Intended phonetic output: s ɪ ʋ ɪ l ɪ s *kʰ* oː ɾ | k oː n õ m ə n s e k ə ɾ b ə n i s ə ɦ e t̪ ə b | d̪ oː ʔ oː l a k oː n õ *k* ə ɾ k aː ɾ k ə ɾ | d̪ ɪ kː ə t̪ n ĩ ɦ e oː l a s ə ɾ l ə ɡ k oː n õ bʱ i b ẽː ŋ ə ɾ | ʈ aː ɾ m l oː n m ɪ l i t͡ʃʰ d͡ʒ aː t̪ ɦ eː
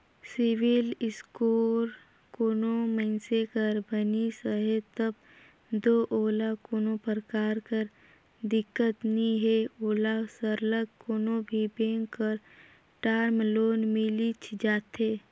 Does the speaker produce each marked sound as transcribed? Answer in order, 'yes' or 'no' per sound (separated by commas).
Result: no, no